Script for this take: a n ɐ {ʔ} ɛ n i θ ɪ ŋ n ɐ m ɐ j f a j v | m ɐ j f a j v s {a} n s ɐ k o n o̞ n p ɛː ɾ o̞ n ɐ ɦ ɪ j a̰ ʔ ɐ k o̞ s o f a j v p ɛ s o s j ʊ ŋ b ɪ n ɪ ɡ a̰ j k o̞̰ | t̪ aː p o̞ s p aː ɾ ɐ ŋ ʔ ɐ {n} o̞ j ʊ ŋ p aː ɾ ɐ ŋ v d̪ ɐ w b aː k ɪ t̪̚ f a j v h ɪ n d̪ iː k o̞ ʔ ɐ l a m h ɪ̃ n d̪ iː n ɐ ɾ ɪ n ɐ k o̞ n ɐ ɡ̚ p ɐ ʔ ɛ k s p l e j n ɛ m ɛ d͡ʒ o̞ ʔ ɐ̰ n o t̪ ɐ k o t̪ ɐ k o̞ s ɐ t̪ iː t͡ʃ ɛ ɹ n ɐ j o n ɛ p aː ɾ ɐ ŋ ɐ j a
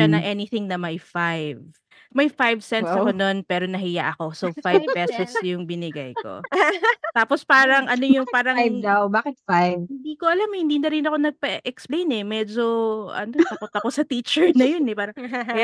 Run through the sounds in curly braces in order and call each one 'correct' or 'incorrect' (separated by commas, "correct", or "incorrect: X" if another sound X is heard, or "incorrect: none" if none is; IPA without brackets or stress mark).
correct, incorrect: ɛ, correct